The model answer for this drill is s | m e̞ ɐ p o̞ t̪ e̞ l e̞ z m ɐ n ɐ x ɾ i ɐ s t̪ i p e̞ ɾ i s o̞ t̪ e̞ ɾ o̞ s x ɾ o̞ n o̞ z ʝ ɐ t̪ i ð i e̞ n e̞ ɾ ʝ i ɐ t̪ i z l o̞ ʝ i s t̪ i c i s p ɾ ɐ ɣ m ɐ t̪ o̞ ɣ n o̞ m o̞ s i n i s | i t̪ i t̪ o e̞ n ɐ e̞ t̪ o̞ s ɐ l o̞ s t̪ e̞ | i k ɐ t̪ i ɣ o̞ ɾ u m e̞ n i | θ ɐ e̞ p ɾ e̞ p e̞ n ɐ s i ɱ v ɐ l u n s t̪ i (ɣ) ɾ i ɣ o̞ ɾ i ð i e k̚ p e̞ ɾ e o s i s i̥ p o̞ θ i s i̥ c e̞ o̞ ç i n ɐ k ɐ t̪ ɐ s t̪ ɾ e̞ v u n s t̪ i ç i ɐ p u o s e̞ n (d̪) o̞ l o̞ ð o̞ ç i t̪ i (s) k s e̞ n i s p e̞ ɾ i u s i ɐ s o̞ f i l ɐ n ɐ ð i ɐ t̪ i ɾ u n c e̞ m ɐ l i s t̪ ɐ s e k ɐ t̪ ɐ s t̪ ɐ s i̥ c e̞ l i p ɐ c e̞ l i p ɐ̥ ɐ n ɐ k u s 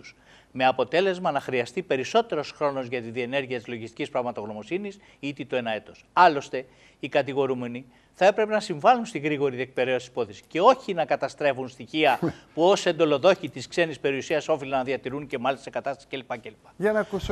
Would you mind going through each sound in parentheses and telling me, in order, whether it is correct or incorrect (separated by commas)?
correct, correct, correct